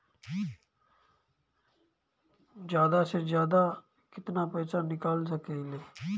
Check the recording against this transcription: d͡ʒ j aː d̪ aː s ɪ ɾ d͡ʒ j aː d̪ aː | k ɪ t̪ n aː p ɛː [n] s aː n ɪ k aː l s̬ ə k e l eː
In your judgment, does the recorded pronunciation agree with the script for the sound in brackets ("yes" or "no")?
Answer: no